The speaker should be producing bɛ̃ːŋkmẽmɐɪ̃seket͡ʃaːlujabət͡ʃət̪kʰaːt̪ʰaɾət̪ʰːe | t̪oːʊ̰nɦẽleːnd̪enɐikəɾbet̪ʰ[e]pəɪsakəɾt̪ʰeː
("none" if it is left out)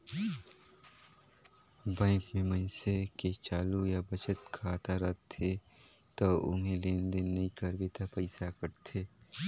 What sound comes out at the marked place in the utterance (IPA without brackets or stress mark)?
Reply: a